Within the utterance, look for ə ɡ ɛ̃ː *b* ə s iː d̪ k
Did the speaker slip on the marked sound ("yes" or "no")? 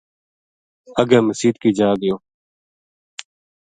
yes